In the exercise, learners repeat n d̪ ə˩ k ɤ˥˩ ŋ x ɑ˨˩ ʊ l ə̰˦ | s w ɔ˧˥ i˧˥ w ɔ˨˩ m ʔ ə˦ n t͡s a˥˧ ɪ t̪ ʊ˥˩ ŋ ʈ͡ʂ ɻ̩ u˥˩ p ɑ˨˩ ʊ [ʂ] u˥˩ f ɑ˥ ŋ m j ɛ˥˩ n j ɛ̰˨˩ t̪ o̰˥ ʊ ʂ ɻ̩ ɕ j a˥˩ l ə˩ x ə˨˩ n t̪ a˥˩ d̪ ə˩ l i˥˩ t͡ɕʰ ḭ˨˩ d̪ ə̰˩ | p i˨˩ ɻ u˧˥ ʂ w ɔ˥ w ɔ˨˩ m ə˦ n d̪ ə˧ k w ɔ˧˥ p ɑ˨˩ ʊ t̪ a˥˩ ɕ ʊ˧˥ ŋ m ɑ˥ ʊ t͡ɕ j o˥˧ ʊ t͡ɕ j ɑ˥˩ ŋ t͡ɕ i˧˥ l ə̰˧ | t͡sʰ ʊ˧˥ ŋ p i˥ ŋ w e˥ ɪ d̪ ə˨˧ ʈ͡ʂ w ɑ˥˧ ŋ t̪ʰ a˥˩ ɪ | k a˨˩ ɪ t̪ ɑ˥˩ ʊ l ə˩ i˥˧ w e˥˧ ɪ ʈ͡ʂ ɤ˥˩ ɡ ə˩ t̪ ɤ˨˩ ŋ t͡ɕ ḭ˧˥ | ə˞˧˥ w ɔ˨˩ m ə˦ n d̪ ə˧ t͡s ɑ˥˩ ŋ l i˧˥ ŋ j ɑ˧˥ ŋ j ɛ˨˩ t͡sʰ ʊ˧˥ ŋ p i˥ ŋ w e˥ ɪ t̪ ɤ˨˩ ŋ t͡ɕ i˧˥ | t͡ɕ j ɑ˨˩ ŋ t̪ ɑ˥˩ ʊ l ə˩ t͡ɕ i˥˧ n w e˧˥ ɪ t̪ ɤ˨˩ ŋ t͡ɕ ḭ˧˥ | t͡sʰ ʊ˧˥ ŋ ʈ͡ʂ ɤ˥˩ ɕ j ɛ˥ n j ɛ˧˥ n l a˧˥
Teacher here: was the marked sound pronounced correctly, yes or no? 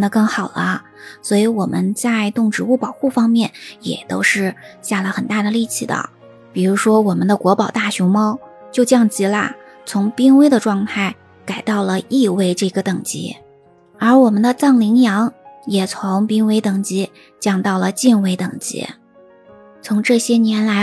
no